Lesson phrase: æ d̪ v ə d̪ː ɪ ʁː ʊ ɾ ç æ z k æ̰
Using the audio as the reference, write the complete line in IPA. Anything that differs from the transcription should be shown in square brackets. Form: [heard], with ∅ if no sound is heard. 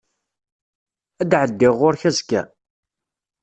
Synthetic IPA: æ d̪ [ʕ] ə d̪ː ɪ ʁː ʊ ɾ ç æ z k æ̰